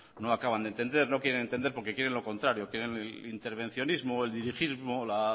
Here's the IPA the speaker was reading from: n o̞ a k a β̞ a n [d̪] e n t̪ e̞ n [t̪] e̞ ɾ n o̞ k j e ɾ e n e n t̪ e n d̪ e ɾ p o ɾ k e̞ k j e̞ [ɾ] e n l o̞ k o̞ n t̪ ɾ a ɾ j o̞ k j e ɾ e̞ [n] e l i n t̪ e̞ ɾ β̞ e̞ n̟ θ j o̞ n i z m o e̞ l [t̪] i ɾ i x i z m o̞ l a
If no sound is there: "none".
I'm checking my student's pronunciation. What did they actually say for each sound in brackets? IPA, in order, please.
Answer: d̪, d̪, ɾ, n, d̪

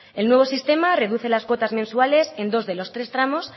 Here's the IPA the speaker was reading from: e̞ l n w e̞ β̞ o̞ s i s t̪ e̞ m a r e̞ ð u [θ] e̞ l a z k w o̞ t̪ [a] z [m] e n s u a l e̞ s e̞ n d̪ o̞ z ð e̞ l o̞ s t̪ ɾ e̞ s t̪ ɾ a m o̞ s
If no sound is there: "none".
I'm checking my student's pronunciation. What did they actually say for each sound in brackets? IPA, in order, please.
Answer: θ, a, m

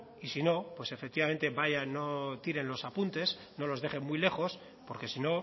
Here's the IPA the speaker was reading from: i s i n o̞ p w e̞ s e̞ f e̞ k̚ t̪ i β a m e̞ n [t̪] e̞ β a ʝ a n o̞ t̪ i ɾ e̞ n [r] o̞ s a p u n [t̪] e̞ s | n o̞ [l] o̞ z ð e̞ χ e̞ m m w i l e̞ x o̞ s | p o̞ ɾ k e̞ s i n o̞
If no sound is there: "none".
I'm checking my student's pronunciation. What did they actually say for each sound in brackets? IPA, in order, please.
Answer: t̪, l, t̪, l

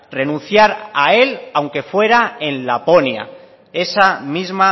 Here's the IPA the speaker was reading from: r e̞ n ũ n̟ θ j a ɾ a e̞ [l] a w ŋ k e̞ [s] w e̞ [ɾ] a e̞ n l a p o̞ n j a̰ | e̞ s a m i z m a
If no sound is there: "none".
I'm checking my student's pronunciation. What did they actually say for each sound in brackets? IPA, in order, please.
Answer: l, f, ɾ

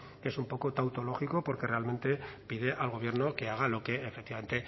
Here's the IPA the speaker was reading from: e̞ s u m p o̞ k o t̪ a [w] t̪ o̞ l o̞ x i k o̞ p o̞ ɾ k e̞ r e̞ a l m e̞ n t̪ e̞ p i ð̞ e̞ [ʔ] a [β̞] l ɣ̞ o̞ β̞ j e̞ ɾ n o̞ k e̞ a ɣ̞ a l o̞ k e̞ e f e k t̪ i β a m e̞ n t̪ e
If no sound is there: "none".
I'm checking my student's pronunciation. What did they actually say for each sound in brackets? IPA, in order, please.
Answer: w, ʔ, none

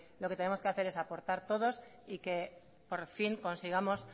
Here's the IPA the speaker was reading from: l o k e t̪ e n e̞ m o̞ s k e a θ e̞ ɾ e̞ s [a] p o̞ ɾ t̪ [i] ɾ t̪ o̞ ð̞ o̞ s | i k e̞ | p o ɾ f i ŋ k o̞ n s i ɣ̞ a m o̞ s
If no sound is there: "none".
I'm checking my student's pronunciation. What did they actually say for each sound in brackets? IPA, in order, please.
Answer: a, a

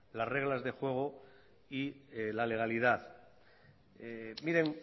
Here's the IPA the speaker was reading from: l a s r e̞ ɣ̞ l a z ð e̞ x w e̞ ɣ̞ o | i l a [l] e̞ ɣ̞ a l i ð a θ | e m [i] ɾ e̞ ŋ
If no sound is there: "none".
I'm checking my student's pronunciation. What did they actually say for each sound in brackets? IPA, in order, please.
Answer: l, i

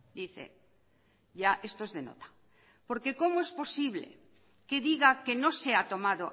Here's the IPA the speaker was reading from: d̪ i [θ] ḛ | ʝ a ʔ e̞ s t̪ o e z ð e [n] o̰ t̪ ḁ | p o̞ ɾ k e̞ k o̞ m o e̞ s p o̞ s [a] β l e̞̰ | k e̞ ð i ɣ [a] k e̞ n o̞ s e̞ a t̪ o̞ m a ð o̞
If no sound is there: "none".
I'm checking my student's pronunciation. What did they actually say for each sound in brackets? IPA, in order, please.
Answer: θ, n, i, a

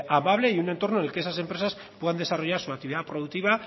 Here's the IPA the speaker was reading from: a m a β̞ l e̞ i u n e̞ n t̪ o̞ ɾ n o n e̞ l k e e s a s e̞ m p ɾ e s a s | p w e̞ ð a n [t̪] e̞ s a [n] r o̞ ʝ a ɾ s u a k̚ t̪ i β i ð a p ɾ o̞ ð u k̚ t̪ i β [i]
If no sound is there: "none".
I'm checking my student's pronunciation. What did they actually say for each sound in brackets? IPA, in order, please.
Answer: d̪, none, a

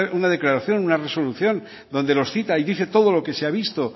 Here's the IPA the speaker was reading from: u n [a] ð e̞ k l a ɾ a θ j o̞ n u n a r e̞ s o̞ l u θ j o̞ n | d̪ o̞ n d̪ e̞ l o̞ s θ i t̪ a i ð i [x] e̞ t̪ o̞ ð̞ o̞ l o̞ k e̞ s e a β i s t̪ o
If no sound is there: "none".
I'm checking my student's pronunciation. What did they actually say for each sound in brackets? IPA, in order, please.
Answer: a, θ

